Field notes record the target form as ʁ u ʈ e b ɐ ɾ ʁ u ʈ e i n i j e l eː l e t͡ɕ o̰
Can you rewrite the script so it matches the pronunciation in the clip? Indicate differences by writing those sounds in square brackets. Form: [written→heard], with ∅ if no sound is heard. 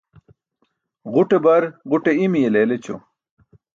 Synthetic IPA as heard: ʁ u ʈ e b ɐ ɾ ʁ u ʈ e i [n→m] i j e l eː l e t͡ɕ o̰